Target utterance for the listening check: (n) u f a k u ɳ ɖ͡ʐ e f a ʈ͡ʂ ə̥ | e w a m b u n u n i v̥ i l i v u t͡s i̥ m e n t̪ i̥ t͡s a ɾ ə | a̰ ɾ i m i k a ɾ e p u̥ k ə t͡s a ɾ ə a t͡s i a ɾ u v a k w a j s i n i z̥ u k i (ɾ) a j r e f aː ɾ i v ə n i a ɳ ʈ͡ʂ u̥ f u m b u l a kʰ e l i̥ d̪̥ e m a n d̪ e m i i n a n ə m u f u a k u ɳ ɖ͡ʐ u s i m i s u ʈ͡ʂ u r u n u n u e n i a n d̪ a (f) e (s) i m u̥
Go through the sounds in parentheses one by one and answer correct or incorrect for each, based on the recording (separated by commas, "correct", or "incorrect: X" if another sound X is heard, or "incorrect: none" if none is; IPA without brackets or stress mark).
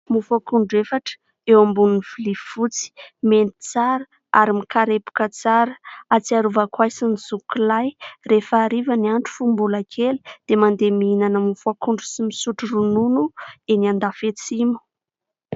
incorrect: m, incorrect: l, correct, incorrect: t͡s